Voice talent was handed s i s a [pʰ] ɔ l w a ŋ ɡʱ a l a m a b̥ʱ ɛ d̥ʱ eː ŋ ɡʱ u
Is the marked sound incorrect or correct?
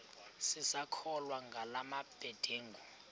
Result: incorrect